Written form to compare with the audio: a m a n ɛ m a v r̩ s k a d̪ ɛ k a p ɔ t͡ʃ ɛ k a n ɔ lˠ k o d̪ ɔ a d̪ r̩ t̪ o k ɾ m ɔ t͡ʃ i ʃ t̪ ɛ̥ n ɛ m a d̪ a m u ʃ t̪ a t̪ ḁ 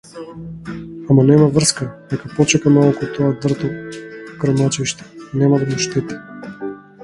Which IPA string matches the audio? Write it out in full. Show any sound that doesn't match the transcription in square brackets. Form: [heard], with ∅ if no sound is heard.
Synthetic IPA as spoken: a m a n ɛ m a v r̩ s k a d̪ ɛ k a p ɔ t͡ʃ ɛ k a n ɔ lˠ k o [t̪] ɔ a d̪ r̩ t̪ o k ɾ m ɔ t͡ʃ i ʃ t̪ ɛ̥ n ɛ m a d̪ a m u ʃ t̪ [ɛ] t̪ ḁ